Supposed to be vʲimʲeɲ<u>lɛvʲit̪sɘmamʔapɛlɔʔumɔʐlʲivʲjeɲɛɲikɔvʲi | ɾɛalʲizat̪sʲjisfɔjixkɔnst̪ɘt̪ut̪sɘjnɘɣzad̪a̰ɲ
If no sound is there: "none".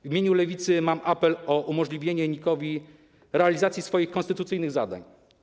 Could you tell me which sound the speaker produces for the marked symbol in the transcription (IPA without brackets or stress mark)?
u